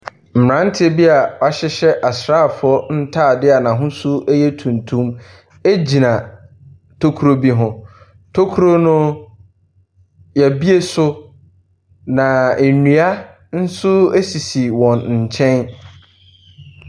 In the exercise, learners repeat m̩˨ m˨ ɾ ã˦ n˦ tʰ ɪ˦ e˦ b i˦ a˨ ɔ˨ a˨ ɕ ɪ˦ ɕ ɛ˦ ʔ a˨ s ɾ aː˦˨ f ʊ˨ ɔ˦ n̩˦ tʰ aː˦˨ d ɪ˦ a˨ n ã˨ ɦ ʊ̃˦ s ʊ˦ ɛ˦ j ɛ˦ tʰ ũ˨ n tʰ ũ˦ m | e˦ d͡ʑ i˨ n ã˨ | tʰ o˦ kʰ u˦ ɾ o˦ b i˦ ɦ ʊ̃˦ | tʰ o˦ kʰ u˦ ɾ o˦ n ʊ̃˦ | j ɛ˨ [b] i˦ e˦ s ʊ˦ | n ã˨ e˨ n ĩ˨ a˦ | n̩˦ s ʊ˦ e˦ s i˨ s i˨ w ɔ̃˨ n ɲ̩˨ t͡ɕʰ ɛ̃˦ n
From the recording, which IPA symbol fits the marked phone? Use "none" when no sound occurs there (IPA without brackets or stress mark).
b